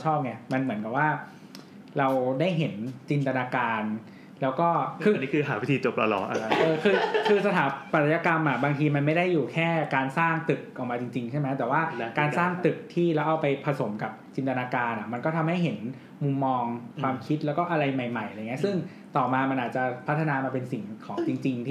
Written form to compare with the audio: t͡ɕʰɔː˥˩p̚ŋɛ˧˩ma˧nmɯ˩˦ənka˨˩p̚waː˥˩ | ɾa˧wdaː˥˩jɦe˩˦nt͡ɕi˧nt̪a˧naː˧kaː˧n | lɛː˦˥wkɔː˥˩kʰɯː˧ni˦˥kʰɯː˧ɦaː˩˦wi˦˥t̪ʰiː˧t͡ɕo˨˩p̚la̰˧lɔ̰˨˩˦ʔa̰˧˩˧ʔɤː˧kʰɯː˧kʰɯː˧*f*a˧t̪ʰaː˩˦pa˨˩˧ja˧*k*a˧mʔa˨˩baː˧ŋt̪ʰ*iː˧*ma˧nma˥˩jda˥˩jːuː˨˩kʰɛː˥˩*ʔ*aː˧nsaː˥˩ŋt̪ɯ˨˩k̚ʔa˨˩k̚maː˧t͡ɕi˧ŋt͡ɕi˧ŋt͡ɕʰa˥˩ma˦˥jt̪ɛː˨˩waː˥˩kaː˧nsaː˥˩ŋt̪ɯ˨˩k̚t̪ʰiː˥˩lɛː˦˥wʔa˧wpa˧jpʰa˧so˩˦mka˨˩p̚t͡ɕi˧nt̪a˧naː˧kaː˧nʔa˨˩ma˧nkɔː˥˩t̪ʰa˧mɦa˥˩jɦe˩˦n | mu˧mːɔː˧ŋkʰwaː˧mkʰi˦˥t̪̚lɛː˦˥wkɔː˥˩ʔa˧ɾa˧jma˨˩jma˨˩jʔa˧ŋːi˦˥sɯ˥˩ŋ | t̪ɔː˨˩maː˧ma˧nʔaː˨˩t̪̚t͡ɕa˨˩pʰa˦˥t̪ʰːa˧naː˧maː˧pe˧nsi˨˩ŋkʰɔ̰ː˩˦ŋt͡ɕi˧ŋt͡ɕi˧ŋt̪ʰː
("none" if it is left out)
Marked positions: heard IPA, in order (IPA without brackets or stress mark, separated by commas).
s, k, iː˧, k